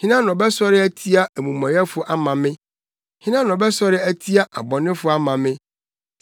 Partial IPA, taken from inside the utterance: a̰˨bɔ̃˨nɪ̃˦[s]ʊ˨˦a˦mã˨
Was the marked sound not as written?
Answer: yes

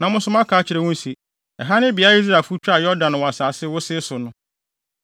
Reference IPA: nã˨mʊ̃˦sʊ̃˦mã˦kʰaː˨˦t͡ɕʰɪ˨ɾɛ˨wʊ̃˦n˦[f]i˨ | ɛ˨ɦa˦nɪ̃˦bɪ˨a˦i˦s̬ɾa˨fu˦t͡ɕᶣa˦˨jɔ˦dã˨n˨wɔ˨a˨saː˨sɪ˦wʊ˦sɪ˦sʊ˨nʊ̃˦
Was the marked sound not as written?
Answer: yes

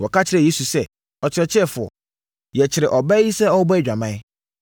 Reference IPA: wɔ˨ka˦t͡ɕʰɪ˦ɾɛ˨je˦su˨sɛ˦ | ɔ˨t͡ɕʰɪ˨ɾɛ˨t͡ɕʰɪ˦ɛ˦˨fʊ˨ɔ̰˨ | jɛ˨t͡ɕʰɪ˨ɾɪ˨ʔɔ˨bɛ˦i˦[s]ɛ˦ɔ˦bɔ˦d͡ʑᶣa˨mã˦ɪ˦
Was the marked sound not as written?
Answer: no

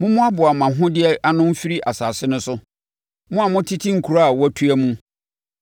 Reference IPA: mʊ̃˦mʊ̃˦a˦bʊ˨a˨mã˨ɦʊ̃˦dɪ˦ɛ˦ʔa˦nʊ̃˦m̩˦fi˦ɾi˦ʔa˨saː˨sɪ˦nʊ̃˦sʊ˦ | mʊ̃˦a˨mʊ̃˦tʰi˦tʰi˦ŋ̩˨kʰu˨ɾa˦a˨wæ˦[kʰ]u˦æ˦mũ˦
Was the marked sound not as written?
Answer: yes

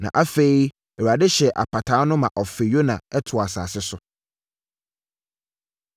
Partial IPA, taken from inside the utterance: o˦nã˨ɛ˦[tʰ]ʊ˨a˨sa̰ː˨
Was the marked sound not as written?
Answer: no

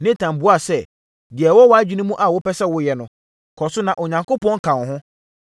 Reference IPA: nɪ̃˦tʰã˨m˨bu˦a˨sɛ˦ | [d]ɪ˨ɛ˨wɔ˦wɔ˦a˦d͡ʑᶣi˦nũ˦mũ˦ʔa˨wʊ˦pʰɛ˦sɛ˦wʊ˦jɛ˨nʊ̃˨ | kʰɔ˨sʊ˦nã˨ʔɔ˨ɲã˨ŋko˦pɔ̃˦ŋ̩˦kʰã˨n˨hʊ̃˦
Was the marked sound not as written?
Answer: no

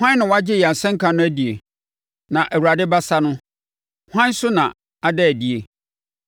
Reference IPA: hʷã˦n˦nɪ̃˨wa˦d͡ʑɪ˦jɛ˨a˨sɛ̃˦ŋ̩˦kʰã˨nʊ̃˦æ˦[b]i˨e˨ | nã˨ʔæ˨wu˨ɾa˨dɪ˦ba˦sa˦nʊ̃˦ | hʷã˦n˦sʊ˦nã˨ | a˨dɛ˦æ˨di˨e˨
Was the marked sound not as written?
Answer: yes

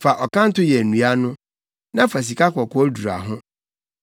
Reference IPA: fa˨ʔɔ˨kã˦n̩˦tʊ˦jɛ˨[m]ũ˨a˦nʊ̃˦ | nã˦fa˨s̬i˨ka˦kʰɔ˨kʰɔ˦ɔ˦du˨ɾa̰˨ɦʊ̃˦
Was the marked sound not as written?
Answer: yes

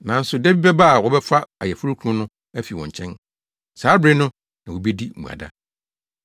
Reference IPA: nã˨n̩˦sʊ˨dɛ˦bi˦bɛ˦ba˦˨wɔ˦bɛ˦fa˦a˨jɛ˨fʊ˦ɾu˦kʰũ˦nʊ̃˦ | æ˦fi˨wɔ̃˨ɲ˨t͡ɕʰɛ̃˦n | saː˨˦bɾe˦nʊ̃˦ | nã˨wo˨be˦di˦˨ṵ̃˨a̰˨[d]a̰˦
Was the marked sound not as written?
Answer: no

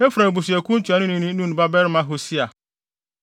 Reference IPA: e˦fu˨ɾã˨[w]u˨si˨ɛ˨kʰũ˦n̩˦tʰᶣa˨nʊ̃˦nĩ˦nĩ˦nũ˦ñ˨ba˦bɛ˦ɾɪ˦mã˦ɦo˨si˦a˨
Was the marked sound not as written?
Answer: yes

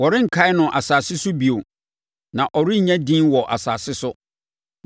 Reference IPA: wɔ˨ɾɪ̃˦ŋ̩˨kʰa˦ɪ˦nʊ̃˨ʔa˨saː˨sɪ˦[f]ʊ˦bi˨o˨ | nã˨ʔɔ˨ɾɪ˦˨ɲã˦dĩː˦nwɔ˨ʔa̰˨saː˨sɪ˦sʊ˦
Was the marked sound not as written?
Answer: yes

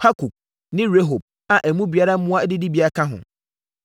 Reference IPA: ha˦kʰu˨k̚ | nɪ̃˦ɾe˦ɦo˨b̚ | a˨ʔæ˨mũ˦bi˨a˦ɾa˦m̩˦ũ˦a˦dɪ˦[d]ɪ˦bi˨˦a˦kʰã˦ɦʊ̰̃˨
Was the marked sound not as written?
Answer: no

